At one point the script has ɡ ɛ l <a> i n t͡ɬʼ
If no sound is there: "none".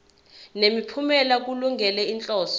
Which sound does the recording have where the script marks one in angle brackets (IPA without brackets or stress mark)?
ɛ